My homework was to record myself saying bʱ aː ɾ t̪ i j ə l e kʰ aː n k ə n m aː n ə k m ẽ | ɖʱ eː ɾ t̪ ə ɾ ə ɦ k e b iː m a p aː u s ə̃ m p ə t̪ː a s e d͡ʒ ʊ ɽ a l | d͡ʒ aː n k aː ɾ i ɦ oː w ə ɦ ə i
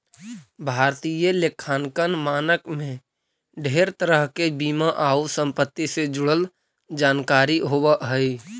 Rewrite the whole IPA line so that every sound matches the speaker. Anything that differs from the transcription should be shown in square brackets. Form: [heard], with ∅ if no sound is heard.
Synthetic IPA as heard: bʱ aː ɾ t̪ i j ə l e kʰ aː n k ə n m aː n ə k m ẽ | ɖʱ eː ɾ t̪ ə ɾ ə ɦ k e b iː m a [ʔ] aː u s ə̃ m p ə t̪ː [i] s e d͡ʒ ʊ ɽ [ə] l | d͡ʒ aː n k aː ɾ i ɦ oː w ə ɦ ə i